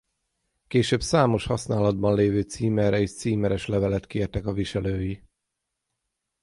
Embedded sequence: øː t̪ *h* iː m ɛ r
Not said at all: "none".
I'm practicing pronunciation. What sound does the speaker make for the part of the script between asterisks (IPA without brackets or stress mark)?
s